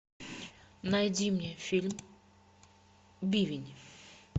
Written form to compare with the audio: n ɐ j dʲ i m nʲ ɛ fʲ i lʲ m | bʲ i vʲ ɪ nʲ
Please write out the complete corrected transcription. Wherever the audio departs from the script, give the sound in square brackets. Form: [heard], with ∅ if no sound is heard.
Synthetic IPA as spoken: n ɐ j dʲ i m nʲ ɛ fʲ i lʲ m | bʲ i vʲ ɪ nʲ